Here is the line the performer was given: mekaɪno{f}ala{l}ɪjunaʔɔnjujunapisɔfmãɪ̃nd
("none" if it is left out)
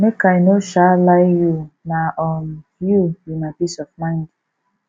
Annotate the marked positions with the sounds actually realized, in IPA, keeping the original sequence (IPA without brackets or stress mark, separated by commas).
ʃ, none